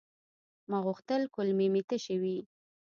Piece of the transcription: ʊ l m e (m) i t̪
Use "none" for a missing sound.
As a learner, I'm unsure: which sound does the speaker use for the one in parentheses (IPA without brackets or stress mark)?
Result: m